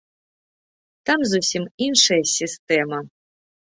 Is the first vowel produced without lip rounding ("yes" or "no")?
yes